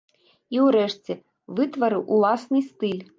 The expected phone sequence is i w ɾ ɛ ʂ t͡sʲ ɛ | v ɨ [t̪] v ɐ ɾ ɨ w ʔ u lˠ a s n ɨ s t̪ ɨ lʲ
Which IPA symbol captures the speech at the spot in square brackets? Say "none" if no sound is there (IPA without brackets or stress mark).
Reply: t̪